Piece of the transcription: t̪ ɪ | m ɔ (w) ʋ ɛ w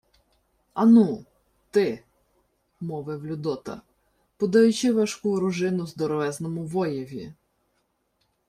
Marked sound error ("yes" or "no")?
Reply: yes